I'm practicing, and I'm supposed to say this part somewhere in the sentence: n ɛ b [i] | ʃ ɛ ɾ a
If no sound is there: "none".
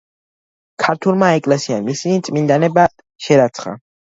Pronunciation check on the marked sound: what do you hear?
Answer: a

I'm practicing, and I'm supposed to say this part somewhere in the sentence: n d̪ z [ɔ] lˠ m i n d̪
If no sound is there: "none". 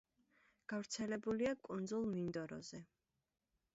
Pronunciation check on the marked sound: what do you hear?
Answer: u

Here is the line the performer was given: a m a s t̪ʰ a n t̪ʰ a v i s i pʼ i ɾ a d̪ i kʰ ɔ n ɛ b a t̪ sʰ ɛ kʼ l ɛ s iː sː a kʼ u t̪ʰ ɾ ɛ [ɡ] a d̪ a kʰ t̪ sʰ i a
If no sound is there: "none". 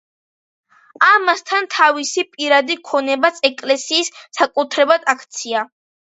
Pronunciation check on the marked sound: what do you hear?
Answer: b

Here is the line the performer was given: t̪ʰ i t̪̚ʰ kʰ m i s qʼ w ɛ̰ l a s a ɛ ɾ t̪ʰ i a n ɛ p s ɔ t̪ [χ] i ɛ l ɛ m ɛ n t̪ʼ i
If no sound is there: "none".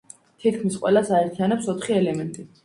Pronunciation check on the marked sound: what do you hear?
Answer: χ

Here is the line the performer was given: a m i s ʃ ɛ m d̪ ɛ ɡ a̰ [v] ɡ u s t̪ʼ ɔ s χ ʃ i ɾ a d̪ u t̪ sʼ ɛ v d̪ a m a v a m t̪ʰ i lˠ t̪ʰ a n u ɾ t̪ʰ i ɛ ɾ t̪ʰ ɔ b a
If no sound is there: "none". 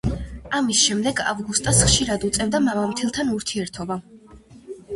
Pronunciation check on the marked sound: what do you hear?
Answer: v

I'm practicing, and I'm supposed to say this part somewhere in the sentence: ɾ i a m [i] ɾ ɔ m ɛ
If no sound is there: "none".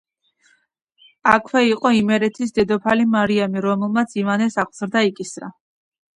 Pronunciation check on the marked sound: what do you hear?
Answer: i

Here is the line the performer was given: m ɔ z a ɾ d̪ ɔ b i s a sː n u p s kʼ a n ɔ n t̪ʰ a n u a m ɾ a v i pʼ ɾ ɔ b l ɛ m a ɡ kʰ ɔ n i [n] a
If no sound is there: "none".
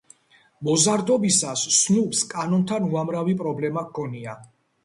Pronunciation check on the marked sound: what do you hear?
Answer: none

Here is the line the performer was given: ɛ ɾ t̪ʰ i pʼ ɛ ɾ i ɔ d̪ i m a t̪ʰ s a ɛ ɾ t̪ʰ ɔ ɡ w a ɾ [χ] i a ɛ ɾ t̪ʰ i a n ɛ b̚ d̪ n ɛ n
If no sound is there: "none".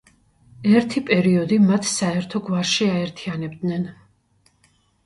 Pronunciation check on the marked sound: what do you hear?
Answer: ʃ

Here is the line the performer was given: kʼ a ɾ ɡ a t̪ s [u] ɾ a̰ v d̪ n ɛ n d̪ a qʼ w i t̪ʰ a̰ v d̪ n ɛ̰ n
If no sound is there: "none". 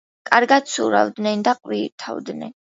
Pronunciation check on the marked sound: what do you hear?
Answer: u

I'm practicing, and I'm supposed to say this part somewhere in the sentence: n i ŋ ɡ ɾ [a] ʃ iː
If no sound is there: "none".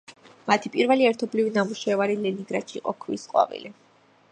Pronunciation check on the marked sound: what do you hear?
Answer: a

